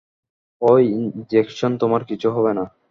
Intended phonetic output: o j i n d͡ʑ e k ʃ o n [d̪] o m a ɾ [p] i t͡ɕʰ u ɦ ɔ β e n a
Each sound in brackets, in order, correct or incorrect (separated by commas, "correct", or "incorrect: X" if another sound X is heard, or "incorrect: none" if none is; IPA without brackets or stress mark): incorrect: t̪, incorrect: k